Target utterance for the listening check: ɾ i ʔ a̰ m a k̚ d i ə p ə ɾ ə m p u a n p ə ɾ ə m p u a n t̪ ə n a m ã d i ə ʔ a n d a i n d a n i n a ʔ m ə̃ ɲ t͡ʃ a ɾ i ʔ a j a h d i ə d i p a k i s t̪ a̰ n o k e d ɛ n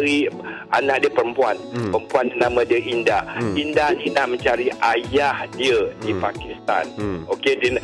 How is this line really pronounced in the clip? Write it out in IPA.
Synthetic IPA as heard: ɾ i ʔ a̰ n a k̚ d i ə p ə ɾ ə m p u a n p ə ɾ ə m p u a n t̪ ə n a m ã d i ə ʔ i n d a i n d a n i n a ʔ m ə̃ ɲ t͡ʃ a ɾ i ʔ a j a h d i ə d i p a k i s t̪ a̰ n o k e d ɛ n